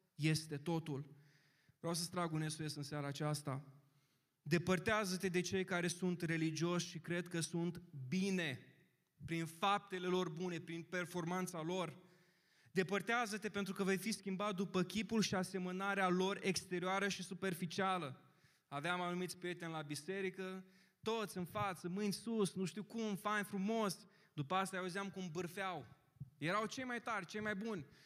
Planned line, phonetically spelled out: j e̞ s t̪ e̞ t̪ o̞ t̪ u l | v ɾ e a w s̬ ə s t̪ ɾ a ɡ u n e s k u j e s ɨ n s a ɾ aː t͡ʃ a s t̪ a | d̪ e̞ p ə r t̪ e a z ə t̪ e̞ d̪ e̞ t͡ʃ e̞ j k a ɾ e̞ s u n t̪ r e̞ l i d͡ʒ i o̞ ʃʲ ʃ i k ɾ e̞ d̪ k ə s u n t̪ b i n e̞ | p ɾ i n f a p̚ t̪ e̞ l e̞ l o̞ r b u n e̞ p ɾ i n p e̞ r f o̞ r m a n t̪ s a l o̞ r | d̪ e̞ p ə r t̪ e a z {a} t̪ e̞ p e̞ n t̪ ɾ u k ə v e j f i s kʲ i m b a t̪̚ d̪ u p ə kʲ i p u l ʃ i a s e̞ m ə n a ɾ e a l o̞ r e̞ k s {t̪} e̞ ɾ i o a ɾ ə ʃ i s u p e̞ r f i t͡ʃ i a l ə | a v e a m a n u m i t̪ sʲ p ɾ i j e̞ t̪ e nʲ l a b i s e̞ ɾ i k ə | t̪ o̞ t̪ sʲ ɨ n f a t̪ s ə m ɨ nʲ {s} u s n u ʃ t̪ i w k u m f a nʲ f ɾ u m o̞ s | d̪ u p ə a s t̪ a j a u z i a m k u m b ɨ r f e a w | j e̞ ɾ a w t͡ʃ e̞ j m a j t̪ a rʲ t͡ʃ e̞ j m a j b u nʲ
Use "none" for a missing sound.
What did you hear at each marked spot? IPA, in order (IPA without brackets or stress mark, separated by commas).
ə, t̪, s